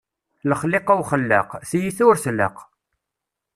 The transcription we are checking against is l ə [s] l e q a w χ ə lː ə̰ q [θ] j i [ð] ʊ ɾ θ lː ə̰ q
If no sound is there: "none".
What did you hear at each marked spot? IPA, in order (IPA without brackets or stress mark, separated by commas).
χ, θ, θ